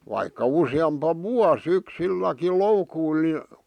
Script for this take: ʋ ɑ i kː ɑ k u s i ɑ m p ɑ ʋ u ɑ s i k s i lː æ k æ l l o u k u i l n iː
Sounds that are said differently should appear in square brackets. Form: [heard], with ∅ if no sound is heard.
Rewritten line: ʋ ɑ i kː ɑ [∅] u s i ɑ m p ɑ ʋ u ɑ s [y] k s i lː æ k [i] l l o u k u i l n [i]